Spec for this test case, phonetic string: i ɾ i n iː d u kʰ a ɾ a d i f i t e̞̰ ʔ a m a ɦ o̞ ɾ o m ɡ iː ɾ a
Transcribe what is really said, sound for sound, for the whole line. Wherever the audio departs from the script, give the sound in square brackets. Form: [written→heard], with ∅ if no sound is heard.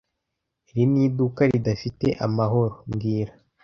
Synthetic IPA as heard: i ɾ i n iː d u [kʰ→k] a ɾ [a→i] d [i→a] f i t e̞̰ ʔ a m a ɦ o̞ ɾ o m ɡ iː ɾ a

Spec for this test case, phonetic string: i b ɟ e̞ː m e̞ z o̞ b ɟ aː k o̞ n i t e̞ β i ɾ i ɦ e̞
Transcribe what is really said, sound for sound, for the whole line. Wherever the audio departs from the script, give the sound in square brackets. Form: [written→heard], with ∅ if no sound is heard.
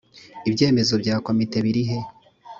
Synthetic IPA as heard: i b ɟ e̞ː m e̞ z o̞ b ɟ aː k o̞ [n→m] i t e̞ β i ɾ i ɦ e̞

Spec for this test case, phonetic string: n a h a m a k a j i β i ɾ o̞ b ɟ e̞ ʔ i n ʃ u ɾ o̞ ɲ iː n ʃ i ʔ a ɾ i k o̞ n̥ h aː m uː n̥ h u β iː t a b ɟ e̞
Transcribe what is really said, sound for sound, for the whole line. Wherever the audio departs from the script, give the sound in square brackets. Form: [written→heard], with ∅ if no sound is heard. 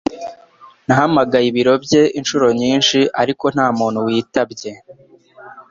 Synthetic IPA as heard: n a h a m a [k→ɡ] a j i β i ɾ o̞ b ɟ e̞ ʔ i n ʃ u ɾ o̞ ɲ iː n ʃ i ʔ a ɾ i k o̞ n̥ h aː m uː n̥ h u [β→w] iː t a b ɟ e̞

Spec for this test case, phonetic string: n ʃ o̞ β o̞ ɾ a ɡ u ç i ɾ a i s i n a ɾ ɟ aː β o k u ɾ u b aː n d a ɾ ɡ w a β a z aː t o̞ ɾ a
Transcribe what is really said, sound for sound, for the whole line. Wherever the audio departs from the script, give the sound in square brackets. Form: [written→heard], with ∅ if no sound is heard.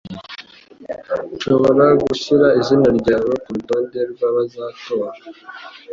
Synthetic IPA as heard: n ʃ o̞ β o̞ ɾ a ɡ u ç i ɾ a i [s→z] i n a ɾ ɟ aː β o k u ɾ u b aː n d [a→e] ɾ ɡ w a β a z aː t o̞ ɾ a

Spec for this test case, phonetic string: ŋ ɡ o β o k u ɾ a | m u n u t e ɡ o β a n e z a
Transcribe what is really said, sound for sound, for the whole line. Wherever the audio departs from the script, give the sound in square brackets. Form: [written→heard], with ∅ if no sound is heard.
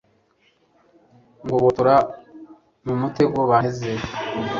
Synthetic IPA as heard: ŋ ɡ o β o [k→t] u ɾ a | m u [n→m] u t e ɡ o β a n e z [a→e]

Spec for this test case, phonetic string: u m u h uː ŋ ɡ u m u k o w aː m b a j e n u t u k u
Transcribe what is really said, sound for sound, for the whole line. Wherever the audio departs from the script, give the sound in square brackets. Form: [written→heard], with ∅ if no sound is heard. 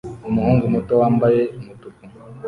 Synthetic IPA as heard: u m u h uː ŋ ɡ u m u [k→t] o w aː m b a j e [n→m] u t u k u

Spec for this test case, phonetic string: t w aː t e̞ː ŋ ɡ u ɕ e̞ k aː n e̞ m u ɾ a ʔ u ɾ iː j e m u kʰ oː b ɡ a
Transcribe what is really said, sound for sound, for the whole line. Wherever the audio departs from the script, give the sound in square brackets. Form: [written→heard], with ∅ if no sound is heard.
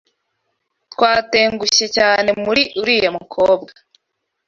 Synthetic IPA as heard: t w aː t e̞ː ŋ ɡ u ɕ e̞ [k→c] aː n e̞ m u ɾ [a→i] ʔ u ɾ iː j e m u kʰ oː b ɡ a

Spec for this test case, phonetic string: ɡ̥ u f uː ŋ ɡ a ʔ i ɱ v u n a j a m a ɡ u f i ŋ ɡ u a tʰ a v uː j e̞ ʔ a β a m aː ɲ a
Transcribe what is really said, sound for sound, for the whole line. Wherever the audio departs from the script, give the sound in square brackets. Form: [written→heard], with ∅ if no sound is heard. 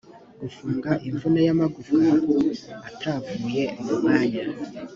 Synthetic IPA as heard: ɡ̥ u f uː ŋ ɡ a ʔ i ɱ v u n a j a m a ɡ u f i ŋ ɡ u a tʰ a v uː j e̞ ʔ a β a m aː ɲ a

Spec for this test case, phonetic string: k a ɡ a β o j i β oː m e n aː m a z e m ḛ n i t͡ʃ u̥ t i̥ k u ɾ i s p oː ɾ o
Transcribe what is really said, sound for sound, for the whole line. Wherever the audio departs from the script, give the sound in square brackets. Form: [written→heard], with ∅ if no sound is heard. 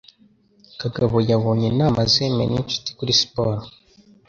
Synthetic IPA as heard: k a ɡ a β o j [i→a] β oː [m→ɲ] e n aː m a z e m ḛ n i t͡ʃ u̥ t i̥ k u ɾ i s p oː ɾ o

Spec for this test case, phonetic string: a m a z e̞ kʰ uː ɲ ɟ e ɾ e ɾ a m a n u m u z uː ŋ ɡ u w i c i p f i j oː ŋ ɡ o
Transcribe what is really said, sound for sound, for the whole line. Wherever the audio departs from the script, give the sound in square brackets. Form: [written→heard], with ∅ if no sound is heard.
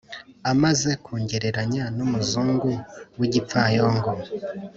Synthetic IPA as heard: a m a z e̞ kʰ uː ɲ ɟ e ɾ e ɾ a [m→ɲ] a n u m u z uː ŋ ɡ u w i [c→ɟ] i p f [i→a] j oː ŋ ɡ o

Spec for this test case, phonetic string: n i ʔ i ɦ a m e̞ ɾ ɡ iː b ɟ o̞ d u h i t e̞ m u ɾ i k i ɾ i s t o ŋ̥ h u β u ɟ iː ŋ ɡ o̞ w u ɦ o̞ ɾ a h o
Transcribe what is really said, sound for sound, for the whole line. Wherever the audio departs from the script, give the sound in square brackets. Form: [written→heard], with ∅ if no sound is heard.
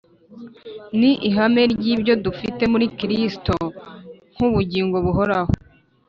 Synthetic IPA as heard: n i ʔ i ɦ a m e̞ ɾ [ɡ→ɟ] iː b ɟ o̞ d u [h→f] i t e̞ m u ɾ i k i ɾ i s t o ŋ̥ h u β u ɟ iː ŋ ɡ o̞ [w→β] u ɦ o̞ ɾ a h o

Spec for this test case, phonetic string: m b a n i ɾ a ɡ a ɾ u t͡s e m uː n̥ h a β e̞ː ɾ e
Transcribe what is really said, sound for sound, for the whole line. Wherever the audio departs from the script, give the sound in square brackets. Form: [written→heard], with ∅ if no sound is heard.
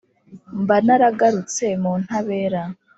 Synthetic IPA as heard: m b a n [i→a] ɾ a ɡ a ɾ u t͡s e m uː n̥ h a β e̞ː ɾ [e→a]

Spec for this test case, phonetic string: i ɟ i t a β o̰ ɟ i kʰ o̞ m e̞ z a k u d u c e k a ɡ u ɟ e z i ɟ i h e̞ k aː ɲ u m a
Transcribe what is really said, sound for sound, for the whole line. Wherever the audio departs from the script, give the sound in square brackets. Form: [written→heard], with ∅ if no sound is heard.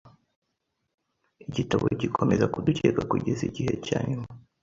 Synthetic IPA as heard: i ɟ i t a β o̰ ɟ i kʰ o̞ m e̞ z a k u d u c e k a [ɡ→k] u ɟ e z i ɟ i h e̞ [k→c] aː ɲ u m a

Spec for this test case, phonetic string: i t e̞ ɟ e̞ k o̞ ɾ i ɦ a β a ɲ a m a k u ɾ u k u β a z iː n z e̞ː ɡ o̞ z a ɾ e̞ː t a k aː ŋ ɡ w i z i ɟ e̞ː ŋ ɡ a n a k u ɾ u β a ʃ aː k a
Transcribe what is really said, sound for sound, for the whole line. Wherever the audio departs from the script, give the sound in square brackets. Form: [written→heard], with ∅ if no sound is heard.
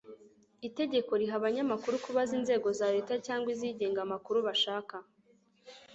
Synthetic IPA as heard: i t e̞ ɟ e̞ k o̞ ɾ i ɦ a β a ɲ a m a k u ɾ u k u β a z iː n z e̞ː ɡ o̞ z a ɾ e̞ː t a [k→c] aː ŋ ɡ w i z i ɟ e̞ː ŋ ɡ a [n→m] a k u ɾ u β a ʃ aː k a

